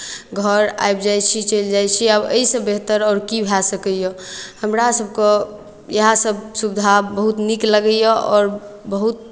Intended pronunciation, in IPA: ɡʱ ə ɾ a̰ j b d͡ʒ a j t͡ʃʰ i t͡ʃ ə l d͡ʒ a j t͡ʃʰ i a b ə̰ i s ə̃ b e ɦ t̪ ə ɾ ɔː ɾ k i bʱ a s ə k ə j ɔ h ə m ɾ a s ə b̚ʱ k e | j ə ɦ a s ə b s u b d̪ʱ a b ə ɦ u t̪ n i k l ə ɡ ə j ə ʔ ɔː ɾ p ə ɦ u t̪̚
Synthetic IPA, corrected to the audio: ɡʱ ə ɾ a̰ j b d͡ʒ a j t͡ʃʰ i t͡ʃ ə l d͡ʒ a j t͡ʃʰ i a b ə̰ i s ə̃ b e ɦ t̪ ə ɾ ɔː ɾ k i bʱ a s ə k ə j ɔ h ə m ɾ a s ə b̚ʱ k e | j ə ɦ a s ə b s u b d̪ʱ a b ə ɦ u t̪ n i k l ə ɡ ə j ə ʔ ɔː ɾ b ə ɦ u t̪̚